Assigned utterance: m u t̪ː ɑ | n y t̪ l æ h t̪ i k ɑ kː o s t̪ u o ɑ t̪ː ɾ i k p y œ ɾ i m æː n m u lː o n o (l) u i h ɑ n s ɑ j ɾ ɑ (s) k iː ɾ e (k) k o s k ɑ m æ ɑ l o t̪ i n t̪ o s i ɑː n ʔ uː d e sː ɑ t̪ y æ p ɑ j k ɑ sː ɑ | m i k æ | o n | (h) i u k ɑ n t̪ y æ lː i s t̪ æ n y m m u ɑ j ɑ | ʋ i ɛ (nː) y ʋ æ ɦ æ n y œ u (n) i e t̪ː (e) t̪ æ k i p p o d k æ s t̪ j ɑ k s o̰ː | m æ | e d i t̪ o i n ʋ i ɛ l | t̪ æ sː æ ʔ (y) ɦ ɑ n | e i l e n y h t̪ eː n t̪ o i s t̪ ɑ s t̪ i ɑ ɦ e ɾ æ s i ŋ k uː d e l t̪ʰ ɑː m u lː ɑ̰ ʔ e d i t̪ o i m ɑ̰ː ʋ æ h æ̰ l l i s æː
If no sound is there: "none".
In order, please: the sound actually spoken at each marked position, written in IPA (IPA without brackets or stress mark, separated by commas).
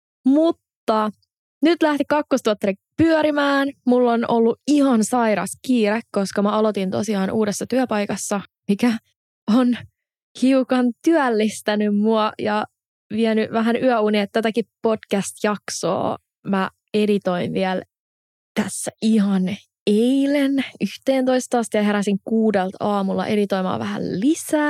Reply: lː, s, k, h, n, n, æ, i